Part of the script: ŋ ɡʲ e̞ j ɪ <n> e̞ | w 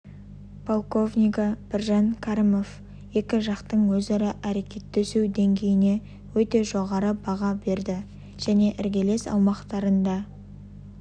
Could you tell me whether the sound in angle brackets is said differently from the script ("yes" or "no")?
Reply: no